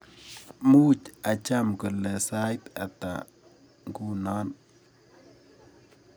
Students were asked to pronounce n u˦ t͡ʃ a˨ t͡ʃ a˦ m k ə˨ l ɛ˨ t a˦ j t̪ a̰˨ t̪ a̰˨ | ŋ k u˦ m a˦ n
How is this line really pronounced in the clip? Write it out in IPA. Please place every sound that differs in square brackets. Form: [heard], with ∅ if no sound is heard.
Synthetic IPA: [m] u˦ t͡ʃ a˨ t͡ʃ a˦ m k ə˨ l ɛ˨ [s] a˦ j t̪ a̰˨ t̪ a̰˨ | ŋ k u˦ [n] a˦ n